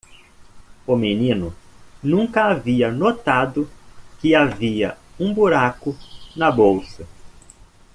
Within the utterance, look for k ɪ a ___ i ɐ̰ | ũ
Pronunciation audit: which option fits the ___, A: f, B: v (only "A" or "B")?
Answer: B